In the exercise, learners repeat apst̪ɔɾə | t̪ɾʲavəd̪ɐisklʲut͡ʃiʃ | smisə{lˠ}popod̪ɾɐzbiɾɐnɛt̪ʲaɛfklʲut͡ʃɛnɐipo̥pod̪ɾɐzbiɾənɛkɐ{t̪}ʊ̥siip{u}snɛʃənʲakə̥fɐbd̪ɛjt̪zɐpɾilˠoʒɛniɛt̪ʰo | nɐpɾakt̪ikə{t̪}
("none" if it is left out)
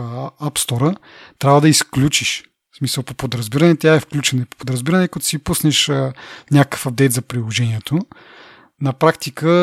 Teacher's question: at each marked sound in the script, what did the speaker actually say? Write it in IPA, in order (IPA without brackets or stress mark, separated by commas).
lˠ, t̪, u, none